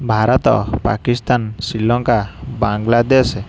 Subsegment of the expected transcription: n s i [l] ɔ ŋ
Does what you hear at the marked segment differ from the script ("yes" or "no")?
no